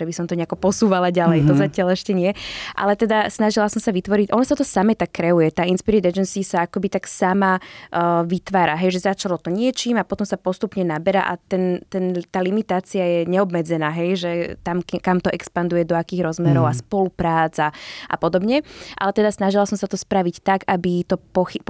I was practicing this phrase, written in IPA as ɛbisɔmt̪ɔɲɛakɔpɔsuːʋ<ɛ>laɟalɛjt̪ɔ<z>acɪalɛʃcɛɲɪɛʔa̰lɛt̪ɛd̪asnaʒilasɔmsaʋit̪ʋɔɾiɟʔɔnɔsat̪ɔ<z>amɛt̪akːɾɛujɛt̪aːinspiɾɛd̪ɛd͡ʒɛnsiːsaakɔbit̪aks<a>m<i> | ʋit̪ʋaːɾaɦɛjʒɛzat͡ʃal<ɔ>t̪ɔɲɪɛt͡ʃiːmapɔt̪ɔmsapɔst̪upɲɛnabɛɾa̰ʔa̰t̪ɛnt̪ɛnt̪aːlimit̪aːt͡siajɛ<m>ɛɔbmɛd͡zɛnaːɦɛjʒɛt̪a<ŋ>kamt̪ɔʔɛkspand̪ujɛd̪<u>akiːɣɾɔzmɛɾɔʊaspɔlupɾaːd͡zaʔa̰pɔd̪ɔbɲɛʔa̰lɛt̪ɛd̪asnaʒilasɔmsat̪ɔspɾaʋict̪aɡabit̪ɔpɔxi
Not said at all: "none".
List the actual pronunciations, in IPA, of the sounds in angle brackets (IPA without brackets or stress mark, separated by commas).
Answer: a, z, s, a, a, ɔ, ɲ, m, ɔ